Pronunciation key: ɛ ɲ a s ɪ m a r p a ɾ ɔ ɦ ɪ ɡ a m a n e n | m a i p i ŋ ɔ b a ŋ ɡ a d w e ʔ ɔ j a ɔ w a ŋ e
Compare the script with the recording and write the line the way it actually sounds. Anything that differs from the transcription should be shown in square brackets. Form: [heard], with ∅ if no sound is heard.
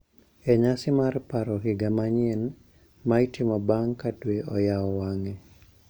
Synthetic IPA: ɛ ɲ a s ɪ m a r p a ɾ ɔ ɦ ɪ ɡ a m a [ɲ] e n | m a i [t] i [m] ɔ b a ŋ [k] a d w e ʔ ɔ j a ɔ w a ŋ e